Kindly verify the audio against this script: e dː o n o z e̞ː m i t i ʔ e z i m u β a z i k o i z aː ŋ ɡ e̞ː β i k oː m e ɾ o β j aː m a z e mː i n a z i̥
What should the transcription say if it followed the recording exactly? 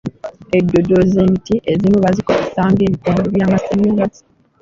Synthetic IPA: e dː o d o z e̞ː m i t i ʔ e z i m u β a z i k o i s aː ŋ ɡ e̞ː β i k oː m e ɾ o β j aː m a s e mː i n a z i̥